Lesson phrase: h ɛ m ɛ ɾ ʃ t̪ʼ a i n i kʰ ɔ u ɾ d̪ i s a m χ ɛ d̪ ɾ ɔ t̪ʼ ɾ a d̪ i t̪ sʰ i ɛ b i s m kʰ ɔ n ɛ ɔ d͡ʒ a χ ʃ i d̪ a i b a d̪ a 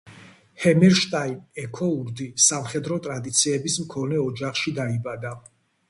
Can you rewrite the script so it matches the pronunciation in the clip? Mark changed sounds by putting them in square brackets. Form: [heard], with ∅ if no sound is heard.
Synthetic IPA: h ɛ m ɛ ɾ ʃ t̪ʼ a i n [ɛ] kʰ ɔ u ɾ d̪ i s a m χ ɛ d̪ ɾ ɔ t̪ʼ ɾ a d̪ i t̪ sʰ i ɛ b i s m kʰ ɔ n ɛ ɔ d͡ʒ a χ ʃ i d̪ a i b a d̪ a